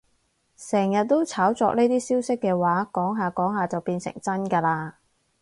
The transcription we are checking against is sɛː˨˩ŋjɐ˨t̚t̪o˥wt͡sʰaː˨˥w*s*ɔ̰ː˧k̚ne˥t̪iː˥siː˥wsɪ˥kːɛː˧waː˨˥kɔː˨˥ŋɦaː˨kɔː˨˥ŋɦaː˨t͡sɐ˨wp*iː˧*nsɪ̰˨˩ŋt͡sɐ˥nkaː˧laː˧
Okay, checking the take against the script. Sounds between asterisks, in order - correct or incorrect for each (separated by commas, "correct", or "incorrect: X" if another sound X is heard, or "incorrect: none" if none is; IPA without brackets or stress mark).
incorrect: t͡s, correct